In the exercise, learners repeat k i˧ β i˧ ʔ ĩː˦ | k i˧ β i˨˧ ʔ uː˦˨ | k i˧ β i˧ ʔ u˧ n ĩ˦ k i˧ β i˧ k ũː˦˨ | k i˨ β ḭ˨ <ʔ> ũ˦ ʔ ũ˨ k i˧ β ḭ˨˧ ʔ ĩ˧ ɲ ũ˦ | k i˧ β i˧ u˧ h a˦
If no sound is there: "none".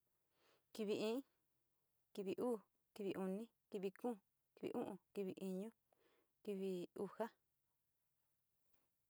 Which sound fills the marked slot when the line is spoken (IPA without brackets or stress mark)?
ʔ